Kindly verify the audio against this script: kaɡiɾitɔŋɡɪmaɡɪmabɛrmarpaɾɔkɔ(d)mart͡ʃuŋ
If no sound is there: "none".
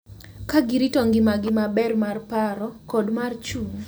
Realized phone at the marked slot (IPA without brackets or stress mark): d